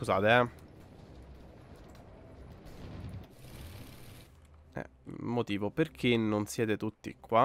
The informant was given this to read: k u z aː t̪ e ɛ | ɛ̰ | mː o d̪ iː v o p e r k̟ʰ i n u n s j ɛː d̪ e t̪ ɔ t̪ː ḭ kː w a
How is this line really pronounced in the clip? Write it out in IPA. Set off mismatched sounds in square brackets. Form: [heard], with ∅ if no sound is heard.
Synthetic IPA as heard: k u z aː t̪ e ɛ | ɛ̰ | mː o [t̪] iː v o p e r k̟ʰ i n [o] n s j ɛː [t̪] e t̪ [u] t̪ː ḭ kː w a